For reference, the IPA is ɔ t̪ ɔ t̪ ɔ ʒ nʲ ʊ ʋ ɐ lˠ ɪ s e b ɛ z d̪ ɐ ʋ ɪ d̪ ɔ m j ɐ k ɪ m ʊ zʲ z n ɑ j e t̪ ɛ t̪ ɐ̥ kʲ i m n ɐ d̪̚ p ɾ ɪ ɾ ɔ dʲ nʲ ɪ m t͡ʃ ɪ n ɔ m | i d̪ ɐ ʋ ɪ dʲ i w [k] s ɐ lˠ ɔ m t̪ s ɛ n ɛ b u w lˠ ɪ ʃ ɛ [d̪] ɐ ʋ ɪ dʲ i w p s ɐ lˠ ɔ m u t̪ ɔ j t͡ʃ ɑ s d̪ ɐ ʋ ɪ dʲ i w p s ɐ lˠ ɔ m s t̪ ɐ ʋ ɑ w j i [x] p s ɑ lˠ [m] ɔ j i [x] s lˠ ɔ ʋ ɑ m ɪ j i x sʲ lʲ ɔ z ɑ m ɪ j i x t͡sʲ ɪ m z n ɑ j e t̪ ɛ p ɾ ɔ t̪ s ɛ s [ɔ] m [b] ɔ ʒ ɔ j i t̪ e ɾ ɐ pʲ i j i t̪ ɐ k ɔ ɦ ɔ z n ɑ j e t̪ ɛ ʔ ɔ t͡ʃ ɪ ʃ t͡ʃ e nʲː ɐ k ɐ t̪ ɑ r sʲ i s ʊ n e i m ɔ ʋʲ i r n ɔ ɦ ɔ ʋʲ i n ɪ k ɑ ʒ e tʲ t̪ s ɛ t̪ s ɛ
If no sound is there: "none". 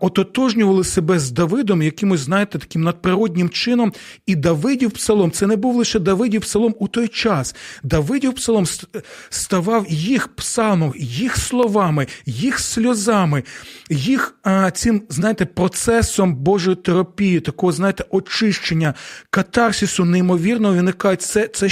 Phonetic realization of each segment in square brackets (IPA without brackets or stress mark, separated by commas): p, d̪, x, m, x, ɔ, b